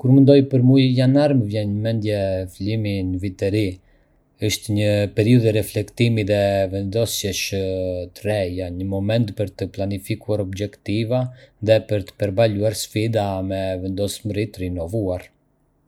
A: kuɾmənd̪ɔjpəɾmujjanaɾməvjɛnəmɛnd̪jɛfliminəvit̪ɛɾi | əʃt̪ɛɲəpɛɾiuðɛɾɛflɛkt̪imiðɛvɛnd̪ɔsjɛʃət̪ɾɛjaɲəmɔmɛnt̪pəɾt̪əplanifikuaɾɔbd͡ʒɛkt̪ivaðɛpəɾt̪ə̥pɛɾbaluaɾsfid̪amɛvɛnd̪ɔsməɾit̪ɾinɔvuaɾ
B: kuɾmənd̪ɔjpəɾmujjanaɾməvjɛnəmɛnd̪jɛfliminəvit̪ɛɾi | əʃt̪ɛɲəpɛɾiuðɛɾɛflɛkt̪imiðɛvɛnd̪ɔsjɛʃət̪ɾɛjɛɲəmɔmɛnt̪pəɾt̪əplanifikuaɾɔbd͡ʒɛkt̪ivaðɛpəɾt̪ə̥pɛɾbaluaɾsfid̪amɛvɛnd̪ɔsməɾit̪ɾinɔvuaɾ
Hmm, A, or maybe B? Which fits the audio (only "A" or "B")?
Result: A